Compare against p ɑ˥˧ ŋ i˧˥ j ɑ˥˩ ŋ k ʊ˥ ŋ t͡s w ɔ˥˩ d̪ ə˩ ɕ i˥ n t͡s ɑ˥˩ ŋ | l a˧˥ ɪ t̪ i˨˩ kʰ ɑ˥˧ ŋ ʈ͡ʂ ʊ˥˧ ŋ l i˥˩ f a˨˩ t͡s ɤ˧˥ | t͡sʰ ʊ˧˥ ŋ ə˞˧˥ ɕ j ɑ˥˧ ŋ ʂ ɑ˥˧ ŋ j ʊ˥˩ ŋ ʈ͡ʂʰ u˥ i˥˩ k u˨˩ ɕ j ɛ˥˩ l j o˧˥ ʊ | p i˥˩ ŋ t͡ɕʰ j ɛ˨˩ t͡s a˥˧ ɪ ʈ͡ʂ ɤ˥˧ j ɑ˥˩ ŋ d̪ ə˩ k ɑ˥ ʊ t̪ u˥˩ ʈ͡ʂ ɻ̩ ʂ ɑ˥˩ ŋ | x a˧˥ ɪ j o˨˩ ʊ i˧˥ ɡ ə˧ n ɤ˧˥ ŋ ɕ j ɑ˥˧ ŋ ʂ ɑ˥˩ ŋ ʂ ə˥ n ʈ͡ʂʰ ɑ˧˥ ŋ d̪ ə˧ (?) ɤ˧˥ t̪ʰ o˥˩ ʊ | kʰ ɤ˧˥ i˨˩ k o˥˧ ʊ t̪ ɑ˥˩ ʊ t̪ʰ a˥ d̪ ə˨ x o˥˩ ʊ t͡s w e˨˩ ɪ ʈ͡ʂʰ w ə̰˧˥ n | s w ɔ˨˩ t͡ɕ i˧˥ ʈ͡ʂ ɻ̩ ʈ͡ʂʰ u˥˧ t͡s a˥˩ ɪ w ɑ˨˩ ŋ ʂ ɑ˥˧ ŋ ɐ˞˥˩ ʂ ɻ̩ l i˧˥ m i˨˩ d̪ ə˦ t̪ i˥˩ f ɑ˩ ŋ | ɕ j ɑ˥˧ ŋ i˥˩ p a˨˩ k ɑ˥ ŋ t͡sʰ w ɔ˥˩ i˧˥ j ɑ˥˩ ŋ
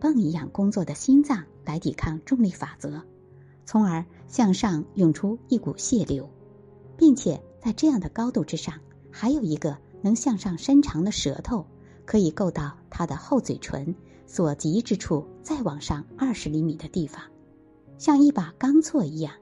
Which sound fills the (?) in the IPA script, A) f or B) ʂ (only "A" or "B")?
B